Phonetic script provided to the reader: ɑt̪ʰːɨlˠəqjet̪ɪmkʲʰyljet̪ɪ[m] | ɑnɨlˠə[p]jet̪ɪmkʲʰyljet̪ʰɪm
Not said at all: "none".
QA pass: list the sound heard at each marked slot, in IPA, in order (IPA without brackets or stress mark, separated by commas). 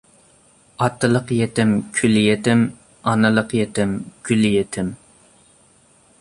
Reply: m, q